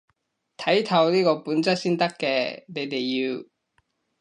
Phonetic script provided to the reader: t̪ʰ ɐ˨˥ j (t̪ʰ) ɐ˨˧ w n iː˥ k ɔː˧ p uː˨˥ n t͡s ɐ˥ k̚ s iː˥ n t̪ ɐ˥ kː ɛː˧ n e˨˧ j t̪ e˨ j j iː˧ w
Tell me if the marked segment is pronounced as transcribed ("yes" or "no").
yes